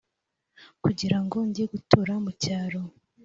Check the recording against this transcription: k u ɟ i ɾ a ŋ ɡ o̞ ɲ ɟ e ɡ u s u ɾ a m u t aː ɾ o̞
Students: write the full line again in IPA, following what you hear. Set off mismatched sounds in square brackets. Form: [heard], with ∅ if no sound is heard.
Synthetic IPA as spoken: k u ɟ i ɾ a ŋ ɡ o̞ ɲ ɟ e ɡ u [t] u ɾ a m u [c] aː ɾ o̞